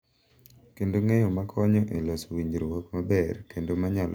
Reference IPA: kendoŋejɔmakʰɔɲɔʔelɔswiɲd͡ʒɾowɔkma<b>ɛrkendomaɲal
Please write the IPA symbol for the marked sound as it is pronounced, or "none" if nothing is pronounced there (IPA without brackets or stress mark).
b